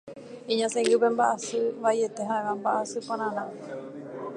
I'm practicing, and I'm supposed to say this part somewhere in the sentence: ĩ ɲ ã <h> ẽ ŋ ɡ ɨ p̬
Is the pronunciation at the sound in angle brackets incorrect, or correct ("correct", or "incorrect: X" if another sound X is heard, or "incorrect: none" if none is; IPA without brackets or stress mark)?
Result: incorrect: s